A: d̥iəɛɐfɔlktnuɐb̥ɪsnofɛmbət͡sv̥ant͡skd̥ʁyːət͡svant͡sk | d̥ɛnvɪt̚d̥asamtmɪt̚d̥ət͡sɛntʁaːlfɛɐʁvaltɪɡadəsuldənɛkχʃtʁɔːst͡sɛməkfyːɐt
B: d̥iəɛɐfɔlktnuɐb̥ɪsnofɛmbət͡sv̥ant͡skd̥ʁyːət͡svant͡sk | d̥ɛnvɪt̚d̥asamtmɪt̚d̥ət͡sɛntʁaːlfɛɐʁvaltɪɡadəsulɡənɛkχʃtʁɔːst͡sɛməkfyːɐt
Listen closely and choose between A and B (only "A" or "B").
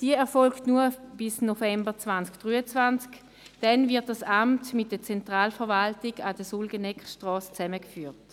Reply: B